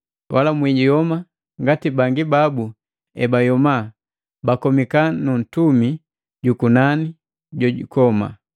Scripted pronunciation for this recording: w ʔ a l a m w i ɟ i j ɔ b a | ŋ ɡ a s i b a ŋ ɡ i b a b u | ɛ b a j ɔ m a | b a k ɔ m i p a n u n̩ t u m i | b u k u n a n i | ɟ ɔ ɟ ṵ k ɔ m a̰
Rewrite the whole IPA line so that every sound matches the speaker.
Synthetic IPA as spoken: w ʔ a l a m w i ɟ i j ɔ m a | ŋ ɡ a t i b a ŋ ɡ i b a b u | ɛ b a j ɔ m a | b a k ɔ m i k a n u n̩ t u m i | ɟ u k u n a n i | ɟ ɔ ɟ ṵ k ɔ m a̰

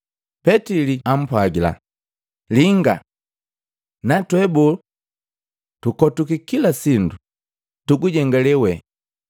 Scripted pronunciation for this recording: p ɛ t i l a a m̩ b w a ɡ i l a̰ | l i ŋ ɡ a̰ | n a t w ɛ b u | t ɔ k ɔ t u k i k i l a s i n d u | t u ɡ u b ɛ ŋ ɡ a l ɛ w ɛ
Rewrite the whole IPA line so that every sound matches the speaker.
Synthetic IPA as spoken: p ɛ t i l i a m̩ p w a ɡ i l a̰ | l i ŋ ɡ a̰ | n a t w ɛ b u | t u k ɔ t u k i k i l a s i n d u | t u ɡ u ɟ ɛ ŋ ɡ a l ɛ w ɛ

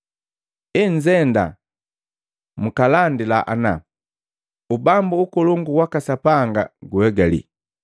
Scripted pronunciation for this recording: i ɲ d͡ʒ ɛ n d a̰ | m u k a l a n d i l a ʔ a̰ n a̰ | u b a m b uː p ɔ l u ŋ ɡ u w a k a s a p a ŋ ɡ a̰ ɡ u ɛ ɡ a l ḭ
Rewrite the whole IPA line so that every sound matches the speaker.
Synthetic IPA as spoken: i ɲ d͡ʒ ɛ n d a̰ | m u k a l a n d i l a ʔ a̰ n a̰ | u b a m b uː k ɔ l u ŋ ɡ u w a k a s a p a ŋ ɡ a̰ ɡ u ɛ ɡ a l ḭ

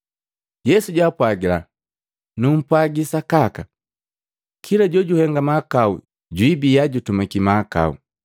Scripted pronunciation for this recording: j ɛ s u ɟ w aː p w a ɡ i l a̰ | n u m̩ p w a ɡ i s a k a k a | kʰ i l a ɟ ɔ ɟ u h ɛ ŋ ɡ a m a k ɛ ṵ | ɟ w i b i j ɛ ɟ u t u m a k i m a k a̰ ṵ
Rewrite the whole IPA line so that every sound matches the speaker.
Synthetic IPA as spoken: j ɛ s u ɟ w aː p w a ɡ i l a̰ | n u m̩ p w a ɡ i s a k a k a | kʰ i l a ɟ ɔ ɟ u h ɛ ŋ ɡ a m a k a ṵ | ɟ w i b i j a ɟ u t u m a k i m a k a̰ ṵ

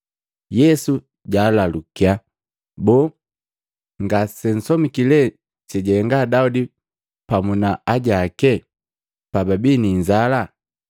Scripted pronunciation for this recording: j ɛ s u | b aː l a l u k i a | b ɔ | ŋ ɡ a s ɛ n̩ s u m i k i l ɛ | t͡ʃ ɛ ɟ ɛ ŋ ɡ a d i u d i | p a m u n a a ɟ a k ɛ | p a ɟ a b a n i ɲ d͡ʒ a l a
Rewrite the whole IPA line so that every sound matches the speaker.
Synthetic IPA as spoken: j ɛ s u | ɟ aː l a l u k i a | b ɔ | ŋ ɡ a s ɛ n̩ s ɔ m i k i l ɛ | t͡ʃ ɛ ɟ ɛ ŋ ɡ a d a u d i | p a m u n a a ɟ a k ɛ | p a b a b i n i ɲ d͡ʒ a l a

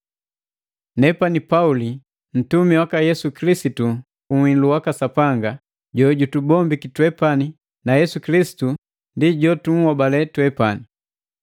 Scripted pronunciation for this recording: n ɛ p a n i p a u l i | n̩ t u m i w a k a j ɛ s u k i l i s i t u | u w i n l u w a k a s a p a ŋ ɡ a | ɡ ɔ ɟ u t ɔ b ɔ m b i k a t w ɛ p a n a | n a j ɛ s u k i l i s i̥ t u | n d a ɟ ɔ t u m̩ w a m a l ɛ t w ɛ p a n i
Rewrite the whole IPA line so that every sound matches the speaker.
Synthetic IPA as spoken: n ɛ p a n i p a u l i | n̩ t u m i w a k a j ɛ s u k i l i s i t u | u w i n l u w a k a s a p a ŋ ɡ a | ɟ ɔ ɟ u t u b ɔ m b i k i t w ɛ p a n i | n a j ɛ s u k i l i s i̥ t u | n d i ɟ ɔ t u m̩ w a b a l ɛ t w ɛ p a n i

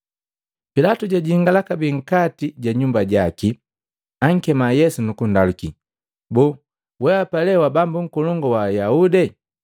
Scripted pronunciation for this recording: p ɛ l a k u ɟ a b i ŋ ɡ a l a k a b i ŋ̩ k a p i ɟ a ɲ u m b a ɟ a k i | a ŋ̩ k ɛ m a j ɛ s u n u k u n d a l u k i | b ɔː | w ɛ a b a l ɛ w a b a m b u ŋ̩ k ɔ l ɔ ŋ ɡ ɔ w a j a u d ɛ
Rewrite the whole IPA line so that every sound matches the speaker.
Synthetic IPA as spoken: p i l a t u ɟ a ɟ i ŋ ɡ a l a k a b i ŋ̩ k a t i ɟ a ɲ u m b a ɟ a k i | a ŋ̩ k ɛ m a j ɛ s u n u k u n d a l u k i | b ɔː | w ɛ a p a l ɛ w a b a m b u ŋ̩ k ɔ l ɔ ŋ ɡ ɔ w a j a u d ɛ

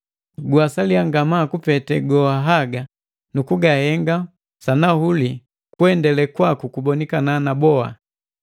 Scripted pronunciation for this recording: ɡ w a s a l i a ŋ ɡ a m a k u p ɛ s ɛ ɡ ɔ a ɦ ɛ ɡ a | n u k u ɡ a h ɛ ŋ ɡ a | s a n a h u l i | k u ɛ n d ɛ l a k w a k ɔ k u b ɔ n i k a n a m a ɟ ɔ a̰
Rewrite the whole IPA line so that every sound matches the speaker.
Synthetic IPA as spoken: ɡ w a s a l i a ŋ ɡ a m a k u p ɛ t ɛ ɡ ɔ a ɦ a ɡ a | n u k u ɡ a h ɛ ŋ ɡ a | s a n a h u l i | k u ɛ n d ɛ l ɛ k w a k u k u b ɔ n i k a n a n a b ɔ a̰

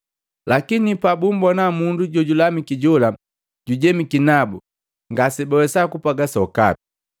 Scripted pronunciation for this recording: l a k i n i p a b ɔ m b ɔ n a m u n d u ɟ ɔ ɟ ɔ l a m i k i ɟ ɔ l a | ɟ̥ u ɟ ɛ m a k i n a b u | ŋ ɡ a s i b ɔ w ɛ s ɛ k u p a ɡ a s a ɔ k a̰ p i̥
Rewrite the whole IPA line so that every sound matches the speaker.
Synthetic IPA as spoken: l a k i n i p a b u m b ɔ n a m u n d u ɟ ɔ ɟ u l a m i k i ɟ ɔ l a | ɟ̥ u ɟ ɛ m i k i n a b u | ŋ ɡ a s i b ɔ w ɛ s a k u p a ɡ a s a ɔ k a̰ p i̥

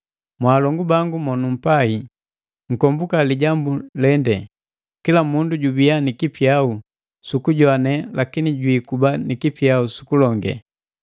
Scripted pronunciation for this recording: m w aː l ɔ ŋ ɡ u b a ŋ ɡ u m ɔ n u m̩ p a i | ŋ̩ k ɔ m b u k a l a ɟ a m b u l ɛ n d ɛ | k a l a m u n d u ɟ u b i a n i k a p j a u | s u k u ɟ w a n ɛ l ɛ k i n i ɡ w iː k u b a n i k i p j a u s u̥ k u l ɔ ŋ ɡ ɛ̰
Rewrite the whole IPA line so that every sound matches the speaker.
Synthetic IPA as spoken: m w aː l ɔ ŋ ɡ u b a ŋ ɡ u m ɔ n u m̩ p a i | ŋ̩ k ɔ m b u k a l i ɟ a m b u l ɛ n d ɛ | k i l a m u n d u ɟ u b i a n i k i p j a u | s u k u ɟ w a n ɛ l a k i n i ɟ w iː k u b a n i k i p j a u s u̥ k u l ɔ ŋ ɡ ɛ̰

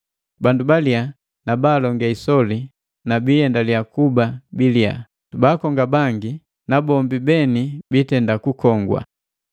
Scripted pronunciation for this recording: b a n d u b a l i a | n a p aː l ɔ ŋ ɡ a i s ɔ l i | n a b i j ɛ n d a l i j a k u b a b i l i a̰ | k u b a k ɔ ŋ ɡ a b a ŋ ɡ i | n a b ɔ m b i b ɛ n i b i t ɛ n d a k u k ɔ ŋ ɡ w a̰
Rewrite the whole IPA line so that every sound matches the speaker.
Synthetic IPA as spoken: b a n d u b a l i a | n a b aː l ɔ ŋ ɡ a i s ɔ l i | n a b i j ɛ n d a l i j a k u b a b i l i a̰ | t u b a k ɔ ŋ ɡ a b a ŋ ɡ i | n a b ɔ m b i b ɛ n i b i t ɛ n d a k u k ɔ ŋ ɡ w a̰

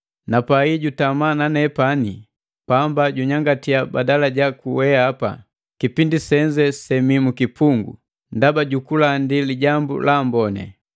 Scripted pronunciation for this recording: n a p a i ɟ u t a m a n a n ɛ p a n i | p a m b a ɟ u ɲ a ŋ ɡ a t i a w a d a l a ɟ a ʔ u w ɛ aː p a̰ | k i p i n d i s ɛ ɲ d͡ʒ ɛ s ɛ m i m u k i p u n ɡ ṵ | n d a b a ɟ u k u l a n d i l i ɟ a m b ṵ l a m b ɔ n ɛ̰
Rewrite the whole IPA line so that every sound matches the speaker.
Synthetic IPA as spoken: n a p a i ɟ u t a m a n a n ɛ p a n i | p a m b a ɟ u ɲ a ŋ ɡ a t i a b a d a l a ɟ a k u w ɛ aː p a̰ | k i p i n d i s ɛ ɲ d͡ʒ ɛ s ɛ m i m u k i p u ŋ ɡ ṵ | n d a b a ɟ u k u l a n d i l i ɟ a m b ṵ l a m b ɔ n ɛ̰

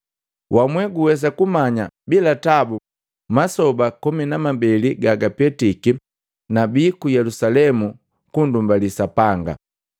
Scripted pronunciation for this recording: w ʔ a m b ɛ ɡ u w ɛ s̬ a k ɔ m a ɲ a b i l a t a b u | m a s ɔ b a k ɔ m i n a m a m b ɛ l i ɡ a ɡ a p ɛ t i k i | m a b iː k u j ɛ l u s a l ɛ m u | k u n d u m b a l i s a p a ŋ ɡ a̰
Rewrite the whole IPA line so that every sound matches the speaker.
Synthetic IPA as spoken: w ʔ a m w ɛ ɡ u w ɛ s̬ a k u m a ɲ a b i l a t a b u | m a s ɔ b a k ɔ m i n a m a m b ɛ l i ɡ a ɡ a p ɛ t i k i | n a b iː k u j ɛ l u s a l ɛ m u | k u n d u m b a l i s a p a ŋ ɡ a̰

